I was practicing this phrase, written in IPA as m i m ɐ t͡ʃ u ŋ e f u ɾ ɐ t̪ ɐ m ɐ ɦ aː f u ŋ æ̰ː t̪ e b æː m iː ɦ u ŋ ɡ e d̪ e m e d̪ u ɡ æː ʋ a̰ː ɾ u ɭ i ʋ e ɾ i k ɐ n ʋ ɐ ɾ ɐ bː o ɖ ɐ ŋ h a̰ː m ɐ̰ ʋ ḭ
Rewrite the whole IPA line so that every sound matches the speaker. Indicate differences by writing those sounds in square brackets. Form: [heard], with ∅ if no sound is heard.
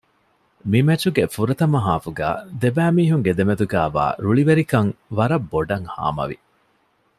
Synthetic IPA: m i m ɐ t͡ʃ u [ɡ] e f u ɾ ɐ t̪ ɐ m ɐ ɦ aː f u [ɡ] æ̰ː [d̪] e b æː m iː ɦ u ŋ ɡ e d̪ e m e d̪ u ɡ æː ʋ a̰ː ɾ u ɭ i ʋ e ɾ i k ɐ [ŋ] ʋ ɐ ɾ ɐ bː o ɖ ɐ ŋ h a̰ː m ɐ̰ ʋ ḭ